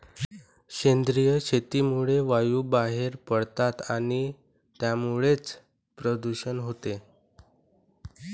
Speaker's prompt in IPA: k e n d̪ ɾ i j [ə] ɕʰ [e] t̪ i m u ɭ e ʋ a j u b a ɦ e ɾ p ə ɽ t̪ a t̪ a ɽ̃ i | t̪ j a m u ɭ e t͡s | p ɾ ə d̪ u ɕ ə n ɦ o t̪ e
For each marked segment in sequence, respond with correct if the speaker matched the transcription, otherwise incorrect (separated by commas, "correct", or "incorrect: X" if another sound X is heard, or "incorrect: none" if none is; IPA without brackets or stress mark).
correct, correct